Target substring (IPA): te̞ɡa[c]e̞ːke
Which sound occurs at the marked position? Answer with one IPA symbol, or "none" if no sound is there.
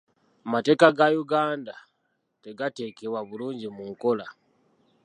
t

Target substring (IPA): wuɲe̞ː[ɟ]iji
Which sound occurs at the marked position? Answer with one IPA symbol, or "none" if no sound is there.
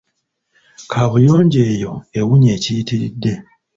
c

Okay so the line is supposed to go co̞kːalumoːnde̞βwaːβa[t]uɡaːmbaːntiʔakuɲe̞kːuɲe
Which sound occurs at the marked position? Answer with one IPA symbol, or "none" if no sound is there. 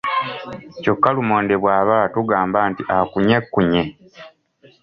t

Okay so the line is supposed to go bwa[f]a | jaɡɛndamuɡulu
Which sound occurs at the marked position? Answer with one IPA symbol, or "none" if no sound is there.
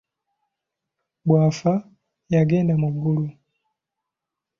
f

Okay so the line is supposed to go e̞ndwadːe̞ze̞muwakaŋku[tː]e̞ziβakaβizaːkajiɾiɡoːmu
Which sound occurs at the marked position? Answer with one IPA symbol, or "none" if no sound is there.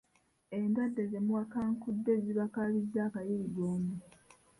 dː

